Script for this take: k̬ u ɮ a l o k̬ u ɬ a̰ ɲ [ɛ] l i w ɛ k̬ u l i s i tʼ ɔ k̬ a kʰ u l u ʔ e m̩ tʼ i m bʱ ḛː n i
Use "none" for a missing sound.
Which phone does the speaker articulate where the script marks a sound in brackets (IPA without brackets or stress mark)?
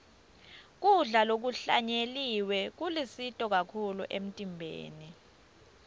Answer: e